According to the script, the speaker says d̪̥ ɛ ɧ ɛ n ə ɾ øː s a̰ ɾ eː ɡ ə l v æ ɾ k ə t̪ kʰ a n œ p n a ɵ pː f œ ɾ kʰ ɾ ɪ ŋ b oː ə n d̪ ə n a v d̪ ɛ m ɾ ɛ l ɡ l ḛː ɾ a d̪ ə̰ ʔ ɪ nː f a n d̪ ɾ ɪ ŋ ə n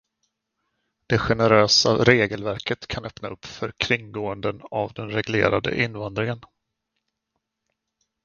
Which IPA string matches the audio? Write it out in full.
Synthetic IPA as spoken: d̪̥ ɛ ɧ ɛ n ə ɾ øː s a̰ ɾ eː ɡ ə l v æ ɾ k ə t̪ kʰ a n œ p n a ɵ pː f œ ɾ kʰ ɾ ɪ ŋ ɡ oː ə n d̪ ə n a v d̪ ɛ n ɾ ɛ ɡ l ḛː ɾ a d̪ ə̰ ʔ ɪ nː v a n d̪ ɾ ɪ ŋ ə n